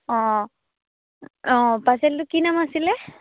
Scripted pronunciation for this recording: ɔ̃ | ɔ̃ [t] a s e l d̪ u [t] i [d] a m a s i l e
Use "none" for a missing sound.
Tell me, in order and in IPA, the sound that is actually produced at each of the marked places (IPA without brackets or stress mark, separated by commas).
p, k, n